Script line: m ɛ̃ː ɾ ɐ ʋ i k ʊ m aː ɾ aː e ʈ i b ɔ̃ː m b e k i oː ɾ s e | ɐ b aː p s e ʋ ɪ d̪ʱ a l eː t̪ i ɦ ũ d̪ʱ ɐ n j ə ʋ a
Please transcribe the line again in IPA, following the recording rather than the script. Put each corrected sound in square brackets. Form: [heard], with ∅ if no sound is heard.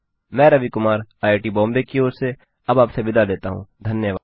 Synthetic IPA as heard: m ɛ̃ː ɾ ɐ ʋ i k ʊ m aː ɾ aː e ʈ i b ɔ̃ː m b e k i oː ɾ s e | ɐ b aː p s e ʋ ɪ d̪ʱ a l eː t̪ [a] ɦ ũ d̪ʱ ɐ n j ə ʋ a